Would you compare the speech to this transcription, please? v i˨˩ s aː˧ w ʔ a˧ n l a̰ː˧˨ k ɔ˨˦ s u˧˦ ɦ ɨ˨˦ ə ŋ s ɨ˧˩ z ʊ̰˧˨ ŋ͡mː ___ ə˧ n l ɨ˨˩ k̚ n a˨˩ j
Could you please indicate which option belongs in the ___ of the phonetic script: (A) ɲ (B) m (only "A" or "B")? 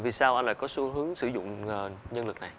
A